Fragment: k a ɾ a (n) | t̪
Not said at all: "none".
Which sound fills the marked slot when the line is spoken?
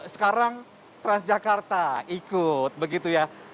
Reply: ŋ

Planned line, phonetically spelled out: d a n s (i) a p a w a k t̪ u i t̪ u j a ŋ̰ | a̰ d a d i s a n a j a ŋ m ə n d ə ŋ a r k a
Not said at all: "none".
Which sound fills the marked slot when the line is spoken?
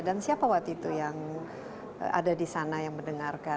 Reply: i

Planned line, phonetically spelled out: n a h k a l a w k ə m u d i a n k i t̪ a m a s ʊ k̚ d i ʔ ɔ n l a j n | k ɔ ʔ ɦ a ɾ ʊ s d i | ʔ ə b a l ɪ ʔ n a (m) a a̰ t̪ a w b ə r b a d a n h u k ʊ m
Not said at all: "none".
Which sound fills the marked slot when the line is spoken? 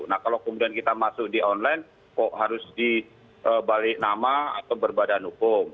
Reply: m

